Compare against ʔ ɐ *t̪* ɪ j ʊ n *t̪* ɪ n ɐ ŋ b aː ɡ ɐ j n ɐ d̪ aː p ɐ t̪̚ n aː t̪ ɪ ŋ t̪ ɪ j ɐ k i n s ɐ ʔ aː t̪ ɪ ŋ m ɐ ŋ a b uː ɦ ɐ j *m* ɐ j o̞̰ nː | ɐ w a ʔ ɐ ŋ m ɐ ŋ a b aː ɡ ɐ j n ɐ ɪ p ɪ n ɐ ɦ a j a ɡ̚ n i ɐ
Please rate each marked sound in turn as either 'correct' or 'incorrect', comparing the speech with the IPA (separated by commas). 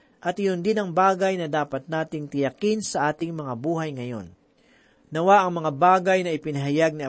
correct, incorrect, incorrect